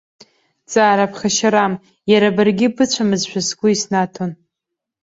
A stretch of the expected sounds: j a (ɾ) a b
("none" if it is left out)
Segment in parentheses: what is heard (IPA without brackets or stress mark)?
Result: ɾ